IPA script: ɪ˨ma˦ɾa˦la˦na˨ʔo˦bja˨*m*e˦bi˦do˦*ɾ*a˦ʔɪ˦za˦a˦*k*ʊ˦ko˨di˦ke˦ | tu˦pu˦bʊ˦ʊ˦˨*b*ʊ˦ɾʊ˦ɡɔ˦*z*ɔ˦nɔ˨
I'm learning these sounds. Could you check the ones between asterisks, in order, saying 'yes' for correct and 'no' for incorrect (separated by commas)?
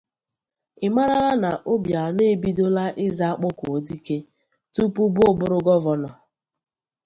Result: no, no, no, yes, no